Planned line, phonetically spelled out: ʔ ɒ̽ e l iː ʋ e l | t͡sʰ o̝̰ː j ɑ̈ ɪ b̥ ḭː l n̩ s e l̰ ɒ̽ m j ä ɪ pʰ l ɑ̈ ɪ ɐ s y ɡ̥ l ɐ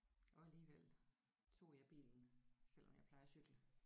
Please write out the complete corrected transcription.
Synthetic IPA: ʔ ɒ̽ æ l iː ʋ e l | t͡sʰ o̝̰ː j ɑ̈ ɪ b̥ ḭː l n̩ s e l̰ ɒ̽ m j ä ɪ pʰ l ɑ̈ ɪ ɐ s y ɡ̥ l ə

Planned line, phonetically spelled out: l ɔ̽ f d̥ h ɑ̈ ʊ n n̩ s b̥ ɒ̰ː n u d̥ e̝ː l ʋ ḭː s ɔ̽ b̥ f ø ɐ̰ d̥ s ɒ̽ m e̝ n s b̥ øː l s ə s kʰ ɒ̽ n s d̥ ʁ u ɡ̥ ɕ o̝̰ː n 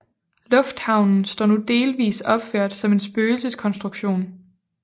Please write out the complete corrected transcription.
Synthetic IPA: l ɔ̽ f d̥ h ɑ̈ ʊ n n̩ s d̥ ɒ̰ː n u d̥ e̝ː l ʋ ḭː s ɒ̽ b̥ f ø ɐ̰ d̥ s ɒ̽ m e̝ n s b̥ øː l s ə s kʰ ɒ̽ n s d̥ ʁ u ɡ̥ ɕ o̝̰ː n

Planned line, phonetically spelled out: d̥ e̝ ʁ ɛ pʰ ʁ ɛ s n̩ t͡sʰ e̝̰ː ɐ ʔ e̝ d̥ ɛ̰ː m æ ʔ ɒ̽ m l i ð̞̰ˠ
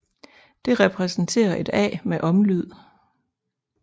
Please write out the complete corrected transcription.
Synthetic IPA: d̥ e̝ ʁ ɛ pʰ ʁ ɛ s n̩ t͡sʰ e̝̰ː ɐ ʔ e̝ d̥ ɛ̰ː m e ʔ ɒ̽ m l y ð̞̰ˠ

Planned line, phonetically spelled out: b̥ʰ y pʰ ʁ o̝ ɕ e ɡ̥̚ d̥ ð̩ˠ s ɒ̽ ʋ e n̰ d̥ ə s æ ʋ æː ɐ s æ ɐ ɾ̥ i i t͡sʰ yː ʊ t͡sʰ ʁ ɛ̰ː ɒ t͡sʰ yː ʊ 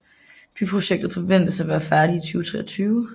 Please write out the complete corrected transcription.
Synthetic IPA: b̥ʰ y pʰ ʁ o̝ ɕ e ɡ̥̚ d̥ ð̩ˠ f ɒ̽ ʋ e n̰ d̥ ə s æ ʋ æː ɐ f æ ɐ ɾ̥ i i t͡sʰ yː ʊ t͡sʰ ʁ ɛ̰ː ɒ t͡sʰ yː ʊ

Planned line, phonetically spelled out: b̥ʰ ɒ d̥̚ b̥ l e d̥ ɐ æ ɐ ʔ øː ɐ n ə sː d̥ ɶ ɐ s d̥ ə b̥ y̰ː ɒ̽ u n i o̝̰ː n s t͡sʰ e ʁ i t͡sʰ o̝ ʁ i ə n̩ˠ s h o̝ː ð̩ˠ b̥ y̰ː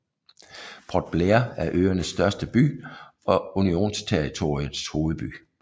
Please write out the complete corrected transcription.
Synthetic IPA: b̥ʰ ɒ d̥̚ b̥ l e ɐ æ ɐ ʔ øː ɐ n ə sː d̥ ɶ ɐ s d̥ ə b̥ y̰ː ɒ̽ u n i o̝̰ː n s t͡sʰ e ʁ i t͡sʰ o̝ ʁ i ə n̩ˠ s h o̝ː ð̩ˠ b̥ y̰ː

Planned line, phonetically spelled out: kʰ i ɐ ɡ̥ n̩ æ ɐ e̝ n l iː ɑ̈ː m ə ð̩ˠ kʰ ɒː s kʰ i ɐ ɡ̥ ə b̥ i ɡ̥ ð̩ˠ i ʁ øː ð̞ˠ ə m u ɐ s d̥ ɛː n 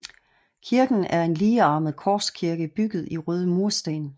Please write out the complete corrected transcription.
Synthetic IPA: kʰ i ɐ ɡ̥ n̩ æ ɐ e̝ n l iː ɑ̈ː m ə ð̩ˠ kʰ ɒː s kʰ i ɐ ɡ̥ ə b̥ y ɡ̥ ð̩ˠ i ʁ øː ð̞ˠ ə m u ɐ s d̥ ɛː n

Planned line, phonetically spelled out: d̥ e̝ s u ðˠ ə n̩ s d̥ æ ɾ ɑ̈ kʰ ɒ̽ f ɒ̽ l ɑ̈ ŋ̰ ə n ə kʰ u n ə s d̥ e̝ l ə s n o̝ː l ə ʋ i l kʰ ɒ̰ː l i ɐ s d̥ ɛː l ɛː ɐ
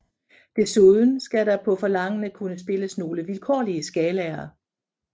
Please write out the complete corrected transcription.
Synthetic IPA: d̥ e̝ s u ðˠ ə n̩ s ɡ̥ æ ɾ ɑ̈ pʰ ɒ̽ f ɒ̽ l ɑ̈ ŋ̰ ə n ə kʰ u n ə s b̥ e̝ l ə s n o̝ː l ə ʋ i l kʰ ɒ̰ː l i ə s ɡ̥ ɛː l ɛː ɐ

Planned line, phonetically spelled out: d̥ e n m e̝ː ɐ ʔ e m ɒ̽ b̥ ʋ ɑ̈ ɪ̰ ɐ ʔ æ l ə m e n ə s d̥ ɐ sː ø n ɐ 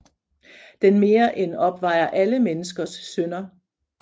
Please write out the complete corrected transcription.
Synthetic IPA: d̥ e n m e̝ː ɐ ʔ e n ɒ̽ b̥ ʋ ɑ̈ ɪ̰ ɐ ʔ æ l ə m e n ə s ɡ̥ ɐ sː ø n ɐ

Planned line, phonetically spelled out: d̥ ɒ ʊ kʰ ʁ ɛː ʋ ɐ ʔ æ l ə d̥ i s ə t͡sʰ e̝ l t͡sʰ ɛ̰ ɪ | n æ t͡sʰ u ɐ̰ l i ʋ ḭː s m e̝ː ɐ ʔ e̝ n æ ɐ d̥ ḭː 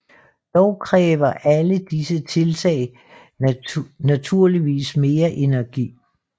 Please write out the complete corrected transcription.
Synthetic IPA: d̥ ɒ ʊ kʰ ʁ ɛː ʋ ɐ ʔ æ l ə d̥ i s ə t͡sʰ e̝ l t͡sʰ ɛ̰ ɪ | n æ t͡sʰ u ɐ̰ l i ʋ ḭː s m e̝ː ɐ ʔ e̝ n æ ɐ ɡ̥ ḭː

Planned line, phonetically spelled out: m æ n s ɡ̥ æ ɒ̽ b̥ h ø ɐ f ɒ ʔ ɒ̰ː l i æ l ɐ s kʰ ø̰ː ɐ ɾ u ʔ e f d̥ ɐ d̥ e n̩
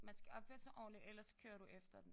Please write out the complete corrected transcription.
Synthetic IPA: m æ n s ɡ̥ æ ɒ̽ b̥ f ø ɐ s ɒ ʔ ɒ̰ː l i e l ɐ s kʰ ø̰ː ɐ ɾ u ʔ e f d̥ ɐ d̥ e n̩

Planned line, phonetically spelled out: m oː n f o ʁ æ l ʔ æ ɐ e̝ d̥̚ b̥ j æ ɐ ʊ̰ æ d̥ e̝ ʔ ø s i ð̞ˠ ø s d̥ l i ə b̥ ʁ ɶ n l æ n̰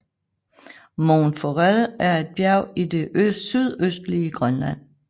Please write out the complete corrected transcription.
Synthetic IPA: m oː n f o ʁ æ l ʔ æ ɐ e̝ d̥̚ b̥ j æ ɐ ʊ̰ i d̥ e̝ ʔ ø s y ð̞ˠ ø s d̥ l i ə ɡ̥ ʁ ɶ n l æ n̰

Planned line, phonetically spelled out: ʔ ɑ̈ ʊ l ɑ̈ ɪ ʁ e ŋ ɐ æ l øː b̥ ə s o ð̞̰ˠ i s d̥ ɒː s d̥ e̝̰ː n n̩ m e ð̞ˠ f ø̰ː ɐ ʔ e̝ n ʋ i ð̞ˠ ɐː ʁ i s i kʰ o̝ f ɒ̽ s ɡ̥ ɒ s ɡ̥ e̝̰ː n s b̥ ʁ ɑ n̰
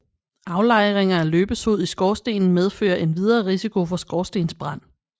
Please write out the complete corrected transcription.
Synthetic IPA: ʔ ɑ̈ ʊ l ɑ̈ ɪ ʁ e ŋ ɐ æ l øː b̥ ə s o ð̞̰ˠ i s ɡ̥ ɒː s d̥ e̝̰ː n n̩ m e ð̞ˠ f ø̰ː ɐ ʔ e̝ n ʋ i ð̞ˠ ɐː ʁ i s i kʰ o̝ f ɒ̽ s ɡ̥ ɒ s d̥ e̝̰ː n s b̥ ʁ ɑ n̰

